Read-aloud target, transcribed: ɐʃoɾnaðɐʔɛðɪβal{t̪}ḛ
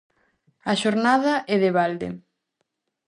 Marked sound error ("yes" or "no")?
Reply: yes